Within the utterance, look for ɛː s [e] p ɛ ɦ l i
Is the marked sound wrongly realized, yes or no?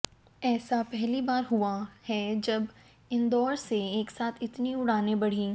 yes